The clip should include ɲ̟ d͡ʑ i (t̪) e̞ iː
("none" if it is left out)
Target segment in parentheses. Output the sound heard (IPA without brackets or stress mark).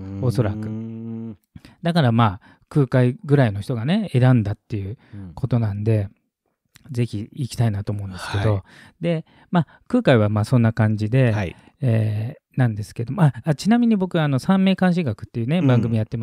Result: d̪